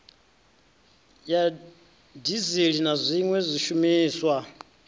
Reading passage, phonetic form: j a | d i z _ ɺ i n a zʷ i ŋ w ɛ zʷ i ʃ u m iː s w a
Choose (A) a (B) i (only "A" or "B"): B